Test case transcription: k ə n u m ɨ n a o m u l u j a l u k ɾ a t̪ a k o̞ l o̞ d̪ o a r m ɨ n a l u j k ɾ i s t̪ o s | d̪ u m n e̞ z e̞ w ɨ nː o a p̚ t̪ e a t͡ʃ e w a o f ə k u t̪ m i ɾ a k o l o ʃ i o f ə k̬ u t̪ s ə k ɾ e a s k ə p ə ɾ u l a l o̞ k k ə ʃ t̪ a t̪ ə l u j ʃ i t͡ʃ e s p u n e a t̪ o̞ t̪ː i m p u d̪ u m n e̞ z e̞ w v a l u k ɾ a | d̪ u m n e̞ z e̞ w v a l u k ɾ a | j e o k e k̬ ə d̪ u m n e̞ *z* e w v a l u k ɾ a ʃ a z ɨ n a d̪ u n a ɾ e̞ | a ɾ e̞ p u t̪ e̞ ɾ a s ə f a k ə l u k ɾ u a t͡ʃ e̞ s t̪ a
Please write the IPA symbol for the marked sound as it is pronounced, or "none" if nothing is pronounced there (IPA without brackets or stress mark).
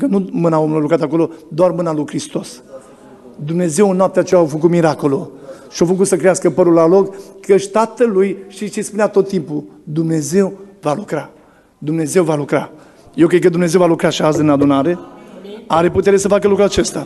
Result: z